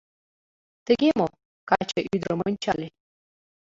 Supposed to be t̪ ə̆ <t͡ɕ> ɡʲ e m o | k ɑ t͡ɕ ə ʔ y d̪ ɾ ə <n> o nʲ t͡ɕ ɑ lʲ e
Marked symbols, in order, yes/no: no, no

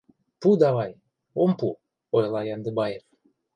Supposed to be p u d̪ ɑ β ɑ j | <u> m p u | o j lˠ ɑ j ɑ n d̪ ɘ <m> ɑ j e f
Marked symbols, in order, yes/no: no, no

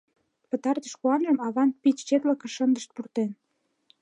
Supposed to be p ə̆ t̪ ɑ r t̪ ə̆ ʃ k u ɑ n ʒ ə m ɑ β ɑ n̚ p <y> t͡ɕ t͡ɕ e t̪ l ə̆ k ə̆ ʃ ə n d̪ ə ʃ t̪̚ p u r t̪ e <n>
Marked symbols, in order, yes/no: no, yes

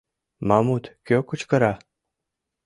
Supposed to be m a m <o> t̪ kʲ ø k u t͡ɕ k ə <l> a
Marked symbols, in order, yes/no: no, no

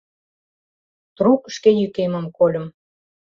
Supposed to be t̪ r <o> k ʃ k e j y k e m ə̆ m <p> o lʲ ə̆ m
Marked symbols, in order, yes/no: no, no

